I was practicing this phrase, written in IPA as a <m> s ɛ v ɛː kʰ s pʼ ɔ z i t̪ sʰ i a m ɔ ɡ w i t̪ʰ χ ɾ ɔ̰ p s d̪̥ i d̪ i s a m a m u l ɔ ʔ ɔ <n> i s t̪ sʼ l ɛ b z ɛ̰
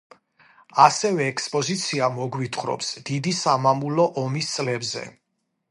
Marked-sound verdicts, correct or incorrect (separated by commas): incorrect, incorrect